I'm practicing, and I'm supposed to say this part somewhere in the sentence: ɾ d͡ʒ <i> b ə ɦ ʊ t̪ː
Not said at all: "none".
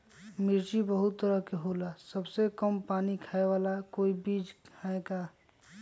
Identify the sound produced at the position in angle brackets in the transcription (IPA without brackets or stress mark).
i